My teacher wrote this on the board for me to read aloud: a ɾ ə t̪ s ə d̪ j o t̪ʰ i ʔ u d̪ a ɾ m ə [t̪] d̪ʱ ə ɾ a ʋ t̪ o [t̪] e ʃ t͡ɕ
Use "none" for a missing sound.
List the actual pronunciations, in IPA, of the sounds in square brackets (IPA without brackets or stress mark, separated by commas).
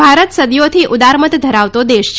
t̪, d̪